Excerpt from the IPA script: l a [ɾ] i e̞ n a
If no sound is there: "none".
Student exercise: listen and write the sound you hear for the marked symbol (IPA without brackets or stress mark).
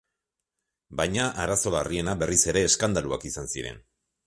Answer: r